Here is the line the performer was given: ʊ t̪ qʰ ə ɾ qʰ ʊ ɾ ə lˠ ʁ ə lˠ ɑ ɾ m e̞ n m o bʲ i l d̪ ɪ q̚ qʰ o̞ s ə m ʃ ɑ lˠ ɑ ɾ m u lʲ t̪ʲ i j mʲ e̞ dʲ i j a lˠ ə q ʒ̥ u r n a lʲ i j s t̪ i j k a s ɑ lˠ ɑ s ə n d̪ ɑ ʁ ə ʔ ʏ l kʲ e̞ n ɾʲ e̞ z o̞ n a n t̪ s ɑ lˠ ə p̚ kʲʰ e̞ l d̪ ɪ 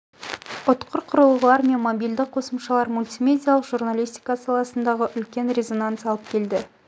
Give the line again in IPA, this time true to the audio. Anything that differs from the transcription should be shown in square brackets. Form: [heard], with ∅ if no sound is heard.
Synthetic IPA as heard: ʊ t̪ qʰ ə ɾ qʰ ʊ ɾ ə lˠ ʁ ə lˠ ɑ ɾ m e̞ n m o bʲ i l d̪ ɪ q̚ qʰ o̞ s ə m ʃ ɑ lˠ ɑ ɾ m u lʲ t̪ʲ i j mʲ e̞ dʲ i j a lˠ ə q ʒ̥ u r n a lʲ i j s t̪ i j k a s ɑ lˠ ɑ s ə n d̪ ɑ ʁ ə ʔ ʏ l kʲ e̞ n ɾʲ e̞ z o̞ n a n t̪ s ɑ lˠ ə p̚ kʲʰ e̞ l d̪ ɪ